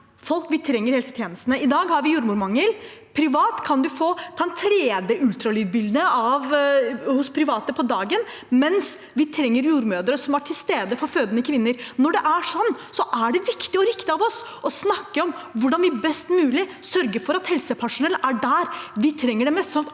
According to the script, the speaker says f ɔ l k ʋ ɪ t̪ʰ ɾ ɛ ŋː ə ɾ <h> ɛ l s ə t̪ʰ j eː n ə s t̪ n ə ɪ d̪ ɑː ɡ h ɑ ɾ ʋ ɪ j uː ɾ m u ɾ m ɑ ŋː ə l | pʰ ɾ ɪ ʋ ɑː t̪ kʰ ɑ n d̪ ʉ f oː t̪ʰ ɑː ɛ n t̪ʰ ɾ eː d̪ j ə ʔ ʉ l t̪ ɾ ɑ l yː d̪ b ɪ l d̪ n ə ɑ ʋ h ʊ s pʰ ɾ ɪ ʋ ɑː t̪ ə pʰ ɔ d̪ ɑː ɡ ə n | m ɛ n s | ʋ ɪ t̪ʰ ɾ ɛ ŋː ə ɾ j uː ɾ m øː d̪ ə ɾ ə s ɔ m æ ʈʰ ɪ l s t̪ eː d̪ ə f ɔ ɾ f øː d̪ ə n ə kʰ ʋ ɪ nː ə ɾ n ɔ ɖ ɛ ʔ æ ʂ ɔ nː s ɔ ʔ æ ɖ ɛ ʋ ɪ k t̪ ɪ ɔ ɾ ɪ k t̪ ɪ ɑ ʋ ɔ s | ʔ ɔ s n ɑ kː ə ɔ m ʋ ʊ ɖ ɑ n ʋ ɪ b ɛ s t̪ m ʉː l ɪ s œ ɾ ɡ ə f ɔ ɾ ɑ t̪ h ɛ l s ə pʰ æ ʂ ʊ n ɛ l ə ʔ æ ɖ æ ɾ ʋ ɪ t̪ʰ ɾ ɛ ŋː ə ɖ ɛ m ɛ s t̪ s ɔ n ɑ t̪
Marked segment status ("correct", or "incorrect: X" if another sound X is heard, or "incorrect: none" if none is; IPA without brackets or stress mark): correct